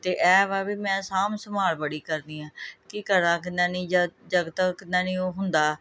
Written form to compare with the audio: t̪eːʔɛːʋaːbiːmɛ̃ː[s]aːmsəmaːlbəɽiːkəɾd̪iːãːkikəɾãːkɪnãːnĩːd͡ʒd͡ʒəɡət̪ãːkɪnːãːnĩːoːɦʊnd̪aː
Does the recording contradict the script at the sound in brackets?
no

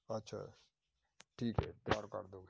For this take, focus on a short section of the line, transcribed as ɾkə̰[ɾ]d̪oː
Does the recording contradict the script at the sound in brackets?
no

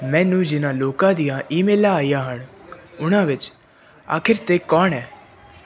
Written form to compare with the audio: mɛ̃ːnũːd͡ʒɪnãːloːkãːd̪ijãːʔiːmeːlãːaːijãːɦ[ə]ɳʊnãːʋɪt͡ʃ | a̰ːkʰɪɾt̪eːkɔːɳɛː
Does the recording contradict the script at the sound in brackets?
no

